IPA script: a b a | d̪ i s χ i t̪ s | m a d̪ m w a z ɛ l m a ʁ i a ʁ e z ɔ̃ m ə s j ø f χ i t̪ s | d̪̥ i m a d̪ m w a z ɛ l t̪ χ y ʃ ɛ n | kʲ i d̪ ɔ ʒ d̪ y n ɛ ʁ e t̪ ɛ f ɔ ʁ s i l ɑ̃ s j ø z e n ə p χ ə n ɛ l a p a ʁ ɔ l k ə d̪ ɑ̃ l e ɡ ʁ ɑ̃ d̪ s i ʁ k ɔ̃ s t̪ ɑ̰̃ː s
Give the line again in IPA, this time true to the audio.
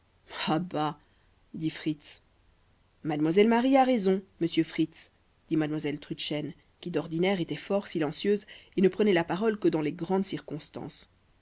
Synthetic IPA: a b a | d̪ i f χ i t̪ s | m a d̪ m w a z ɛ l m a ʁ i a ʁ e z ɔ̃ m ə s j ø f χ i t̪ s | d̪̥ i m a d̪ m w a z ɛ l t̪ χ y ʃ ɛ n | kʲ i d̪ ɔ ʁ d̪ i n ɛ ʁ e t̪ ɛ f ɔ ʁ s i l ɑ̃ s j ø z e n ə p χ ə n ɛ l a p a ʁ ɔ l k ə d̪ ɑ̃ l e ɡ ʁ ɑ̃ d̪ s i ʁ k ɔ̃ s t̪ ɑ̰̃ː s

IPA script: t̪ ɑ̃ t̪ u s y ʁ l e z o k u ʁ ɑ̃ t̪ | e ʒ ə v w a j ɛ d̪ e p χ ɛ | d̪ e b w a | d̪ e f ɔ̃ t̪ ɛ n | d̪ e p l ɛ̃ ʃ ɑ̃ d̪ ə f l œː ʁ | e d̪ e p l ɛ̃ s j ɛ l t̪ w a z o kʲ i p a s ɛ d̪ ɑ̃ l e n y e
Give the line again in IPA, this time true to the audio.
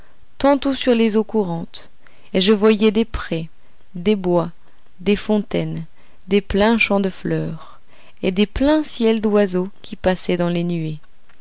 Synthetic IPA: t̪ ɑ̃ t̪ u s y ʁ l e z o k u ʁ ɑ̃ t̪ | e ʒ ə v w a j ɛ d̪ e p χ ɛ | d̪ e b w a | d̪ e f ɔ̃ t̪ ɛ n | d̪ e p l ɛ̃ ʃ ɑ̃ d̪ ə f l œː ʁ | e d̪ e p l ɛ̃ s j ɛ l d̪ w a z o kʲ i p a s ɛ d̪ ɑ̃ l e n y e

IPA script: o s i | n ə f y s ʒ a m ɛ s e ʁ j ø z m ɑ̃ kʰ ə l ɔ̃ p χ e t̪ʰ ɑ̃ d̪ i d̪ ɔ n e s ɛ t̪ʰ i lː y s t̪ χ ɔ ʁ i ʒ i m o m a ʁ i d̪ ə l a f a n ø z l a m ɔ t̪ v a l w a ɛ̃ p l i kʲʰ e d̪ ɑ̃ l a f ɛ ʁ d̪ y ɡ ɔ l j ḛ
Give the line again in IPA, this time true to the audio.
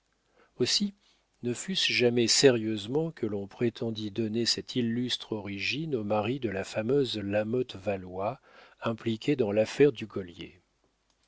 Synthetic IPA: o s i | n ə f y s ʒ a m ɛ s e ʁ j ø z m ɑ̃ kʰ ə l ɔ̃ p χ e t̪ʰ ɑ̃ d̪ i d̪ ɔ n e s ɛ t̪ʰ i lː y s t̪ χ ɔ ʁ i ʒ i n o m a ʁ i d̪ ə l a f a m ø z l a m ɔ t̪ v a l w a ɛ̃ p l i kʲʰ e d̪ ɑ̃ l a f ɛ ʁ d̪ y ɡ ɔ l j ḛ

